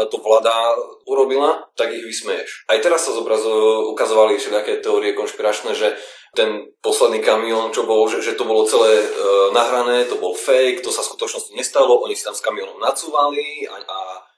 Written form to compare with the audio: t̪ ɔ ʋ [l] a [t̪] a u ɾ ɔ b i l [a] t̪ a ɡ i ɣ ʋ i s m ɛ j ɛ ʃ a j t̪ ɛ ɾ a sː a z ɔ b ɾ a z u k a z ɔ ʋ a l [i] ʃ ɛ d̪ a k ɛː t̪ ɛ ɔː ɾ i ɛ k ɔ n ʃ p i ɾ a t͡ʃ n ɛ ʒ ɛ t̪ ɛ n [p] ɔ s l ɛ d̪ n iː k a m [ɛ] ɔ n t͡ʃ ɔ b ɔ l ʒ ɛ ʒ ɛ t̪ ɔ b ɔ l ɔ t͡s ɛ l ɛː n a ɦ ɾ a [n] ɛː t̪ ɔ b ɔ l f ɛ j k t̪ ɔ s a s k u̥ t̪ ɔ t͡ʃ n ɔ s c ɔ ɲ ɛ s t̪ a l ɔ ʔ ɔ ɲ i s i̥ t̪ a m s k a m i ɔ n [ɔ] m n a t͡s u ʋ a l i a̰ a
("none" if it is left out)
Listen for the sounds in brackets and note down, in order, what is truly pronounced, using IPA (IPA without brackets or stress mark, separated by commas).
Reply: l, d̪, a, i, p, i, n, ɔ